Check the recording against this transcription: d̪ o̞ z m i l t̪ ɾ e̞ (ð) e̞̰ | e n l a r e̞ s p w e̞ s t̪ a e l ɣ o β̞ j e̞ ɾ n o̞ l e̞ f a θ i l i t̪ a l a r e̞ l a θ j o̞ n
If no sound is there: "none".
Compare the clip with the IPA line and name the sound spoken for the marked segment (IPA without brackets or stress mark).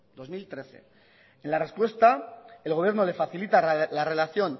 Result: θ